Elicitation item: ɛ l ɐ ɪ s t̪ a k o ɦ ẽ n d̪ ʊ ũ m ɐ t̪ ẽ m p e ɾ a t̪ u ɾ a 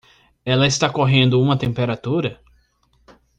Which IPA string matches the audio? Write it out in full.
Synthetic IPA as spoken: ɛ l ɐ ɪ s t̪ a k o ɦ ẽ n d̪ ʊ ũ m ɐ t̪ ẽ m p e ɾ a t̪ u ɾ ɐ